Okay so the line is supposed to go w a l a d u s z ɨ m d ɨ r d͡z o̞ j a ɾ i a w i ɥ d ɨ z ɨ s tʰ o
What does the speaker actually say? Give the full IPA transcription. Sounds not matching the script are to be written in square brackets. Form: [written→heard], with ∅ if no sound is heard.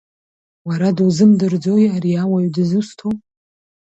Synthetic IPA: w a [l→ɾ] a d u [s→∅] z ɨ m d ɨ r d͡z o̞ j a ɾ i a w [i→a] ɥ d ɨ z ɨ s tʰ o